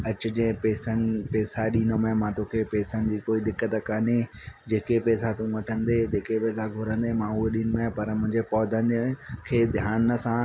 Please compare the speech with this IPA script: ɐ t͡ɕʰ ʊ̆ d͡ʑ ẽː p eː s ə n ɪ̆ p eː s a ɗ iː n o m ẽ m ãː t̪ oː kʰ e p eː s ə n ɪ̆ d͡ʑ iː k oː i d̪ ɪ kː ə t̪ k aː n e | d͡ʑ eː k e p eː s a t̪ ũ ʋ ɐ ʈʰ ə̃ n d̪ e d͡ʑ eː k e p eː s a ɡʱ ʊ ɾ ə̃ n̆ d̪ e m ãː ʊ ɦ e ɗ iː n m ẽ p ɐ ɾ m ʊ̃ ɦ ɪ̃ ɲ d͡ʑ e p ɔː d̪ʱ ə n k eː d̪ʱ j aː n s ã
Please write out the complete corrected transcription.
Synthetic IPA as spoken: ɐ t͡ɕ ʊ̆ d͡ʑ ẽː p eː s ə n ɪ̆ p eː s a ɗ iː n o m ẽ m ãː t̪ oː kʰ e p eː s ə n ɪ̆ d͡ʑ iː k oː i d̪ ɪ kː ə t̪ k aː n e | d͡ʑ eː k e p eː s a t̪ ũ ʋ ɐ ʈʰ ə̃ n d̪ e d͡ʑ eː k e p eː s a ɡʱ ʊ ɾ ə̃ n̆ d̪ e m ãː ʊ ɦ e ɗ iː n m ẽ p ɐ ɾ m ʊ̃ ɦ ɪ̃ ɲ d͡ʑ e p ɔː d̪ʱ ə n kʰ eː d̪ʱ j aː n s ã